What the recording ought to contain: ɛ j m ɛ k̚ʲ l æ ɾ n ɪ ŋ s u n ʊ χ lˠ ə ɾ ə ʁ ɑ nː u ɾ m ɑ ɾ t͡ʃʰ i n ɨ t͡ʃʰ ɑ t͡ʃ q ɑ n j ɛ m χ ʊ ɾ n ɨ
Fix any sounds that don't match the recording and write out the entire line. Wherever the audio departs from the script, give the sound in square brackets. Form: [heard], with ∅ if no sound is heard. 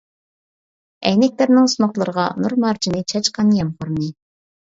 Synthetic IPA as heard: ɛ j [n] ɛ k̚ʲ l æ ɾ n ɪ ŋ s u n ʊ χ lˠ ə ɾ ə ʁ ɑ [n] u ɾ m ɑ ɾ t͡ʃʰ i n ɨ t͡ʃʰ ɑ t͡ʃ q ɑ n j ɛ m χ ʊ ɾ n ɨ